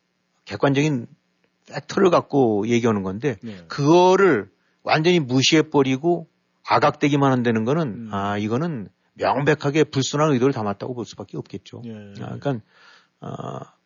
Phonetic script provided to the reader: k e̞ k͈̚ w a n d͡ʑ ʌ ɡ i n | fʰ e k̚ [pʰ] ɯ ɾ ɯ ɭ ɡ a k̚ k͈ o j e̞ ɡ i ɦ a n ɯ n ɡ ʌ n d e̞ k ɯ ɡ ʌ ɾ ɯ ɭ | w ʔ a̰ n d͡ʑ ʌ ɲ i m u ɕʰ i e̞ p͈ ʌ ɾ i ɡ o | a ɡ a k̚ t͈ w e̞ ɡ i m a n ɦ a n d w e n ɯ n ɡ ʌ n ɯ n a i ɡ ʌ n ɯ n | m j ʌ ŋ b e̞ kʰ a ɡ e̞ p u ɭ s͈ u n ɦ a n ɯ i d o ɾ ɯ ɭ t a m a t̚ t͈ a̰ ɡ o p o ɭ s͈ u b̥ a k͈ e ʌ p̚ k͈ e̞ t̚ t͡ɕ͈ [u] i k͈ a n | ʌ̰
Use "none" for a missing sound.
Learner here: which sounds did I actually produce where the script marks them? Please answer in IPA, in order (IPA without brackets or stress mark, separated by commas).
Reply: tʰ, o